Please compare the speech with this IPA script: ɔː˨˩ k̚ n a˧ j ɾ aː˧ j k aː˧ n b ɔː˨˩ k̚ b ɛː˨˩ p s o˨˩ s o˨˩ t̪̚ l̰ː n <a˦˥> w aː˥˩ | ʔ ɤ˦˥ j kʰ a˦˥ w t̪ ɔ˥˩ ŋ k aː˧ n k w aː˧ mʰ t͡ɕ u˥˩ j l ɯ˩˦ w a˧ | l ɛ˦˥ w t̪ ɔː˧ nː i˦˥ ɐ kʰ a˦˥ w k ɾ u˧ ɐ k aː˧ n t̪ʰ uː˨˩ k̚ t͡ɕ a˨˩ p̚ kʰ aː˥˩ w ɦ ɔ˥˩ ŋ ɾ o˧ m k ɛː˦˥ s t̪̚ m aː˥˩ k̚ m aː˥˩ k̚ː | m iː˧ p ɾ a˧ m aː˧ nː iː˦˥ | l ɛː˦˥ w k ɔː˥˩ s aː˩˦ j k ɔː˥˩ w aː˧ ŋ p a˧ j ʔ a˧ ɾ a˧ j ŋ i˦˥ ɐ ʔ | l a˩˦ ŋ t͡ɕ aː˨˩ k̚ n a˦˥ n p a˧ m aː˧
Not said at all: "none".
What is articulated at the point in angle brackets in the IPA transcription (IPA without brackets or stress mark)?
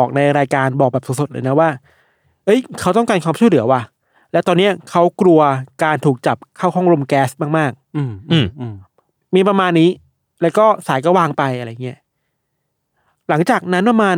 a˦˥